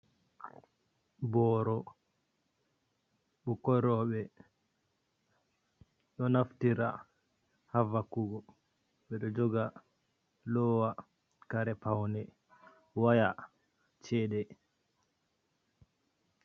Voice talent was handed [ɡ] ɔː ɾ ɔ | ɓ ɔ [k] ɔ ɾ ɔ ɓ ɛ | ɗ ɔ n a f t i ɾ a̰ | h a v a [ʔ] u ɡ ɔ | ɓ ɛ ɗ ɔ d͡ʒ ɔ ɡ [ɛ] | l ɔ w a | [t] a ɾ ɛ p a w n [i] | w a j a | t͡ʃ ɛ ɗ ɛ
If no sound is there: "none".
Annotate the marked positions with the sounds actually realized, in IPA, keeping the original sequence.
b, k, k, a, k, ɛ

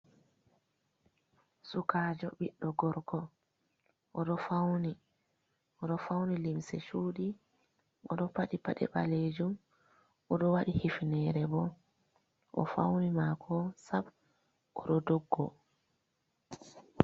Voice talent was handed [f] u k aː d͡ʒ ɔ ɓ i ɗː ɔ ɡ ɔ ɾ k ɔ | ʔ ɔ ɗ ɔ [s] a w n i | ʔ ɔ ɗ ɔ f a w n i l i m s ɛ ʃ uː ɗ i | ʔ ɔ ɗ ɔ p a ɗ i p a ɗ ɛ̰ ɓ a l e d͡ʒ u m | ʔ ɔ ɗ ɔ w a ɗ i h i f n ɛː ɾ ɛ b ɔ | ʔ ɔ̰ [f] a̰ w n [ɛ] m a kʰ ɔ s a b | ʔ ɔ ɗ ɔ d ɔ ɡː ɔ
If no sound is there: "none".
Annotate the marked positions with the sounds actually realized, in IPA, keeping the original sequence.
s, f, f, i

